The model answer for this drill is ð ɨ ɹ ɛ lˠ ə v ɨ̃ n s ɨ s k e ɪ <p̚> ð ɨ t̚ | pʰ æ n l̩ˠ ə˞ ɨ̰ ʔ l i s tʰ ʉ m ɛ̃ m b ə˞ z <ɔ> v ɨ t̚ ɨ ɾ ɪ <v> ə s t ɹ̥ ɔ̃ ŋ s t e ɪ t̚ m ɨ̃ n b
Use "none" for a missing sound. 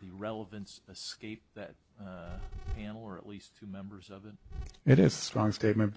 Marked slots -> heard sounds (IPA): p̚, ʌ, z

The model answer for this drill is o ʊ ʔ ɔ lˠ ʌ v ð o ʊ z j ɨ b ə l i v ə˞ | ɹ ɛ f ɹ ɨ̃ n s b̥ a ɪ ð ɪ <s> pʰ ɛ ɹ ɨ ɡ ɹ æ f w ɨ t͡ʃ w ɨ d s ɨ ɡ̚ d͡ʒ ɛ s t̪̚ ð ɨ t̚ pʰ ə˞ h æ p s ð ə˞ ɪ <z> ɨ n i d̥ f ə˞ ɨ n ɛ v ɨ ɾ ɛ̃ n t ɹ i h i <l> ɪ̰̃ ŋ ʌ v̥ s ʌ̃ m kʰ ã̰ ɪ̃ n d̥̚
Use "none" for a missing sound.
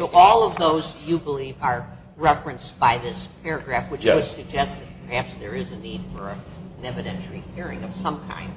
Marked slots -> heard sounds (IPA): s, z, ɹ

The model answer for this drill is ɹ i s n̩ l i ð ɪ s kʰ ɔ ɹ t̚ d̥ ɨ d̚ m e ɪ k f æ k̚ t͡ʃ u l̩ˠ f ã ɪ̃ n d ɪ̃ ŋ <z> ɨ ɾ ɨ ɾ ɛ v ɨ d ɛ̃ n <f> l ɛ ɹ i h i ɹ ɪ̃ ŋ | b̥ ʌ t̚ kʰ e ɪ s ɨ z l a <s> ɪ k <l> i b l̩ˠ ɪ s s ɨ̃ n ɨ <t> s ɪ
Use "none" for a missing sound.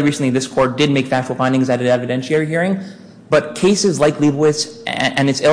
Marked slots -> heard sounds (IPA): z, ʃ, none, l, t

